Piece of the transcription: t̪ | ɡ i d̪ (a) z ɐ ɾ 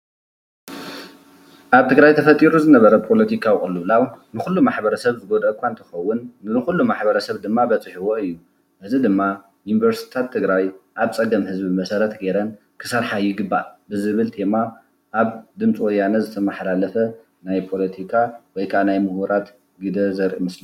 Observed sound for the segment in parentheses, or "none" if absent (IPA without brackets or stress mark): ɐ